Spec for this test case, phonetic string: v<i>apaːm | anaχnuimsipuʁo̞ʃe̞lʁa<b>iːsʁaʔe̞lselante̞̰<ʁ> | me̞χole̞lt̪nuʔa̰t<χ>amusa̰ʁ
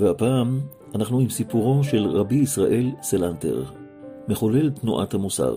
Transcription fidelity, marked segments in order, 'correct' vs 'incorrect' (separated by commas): incorrect, correct, correct, incorrect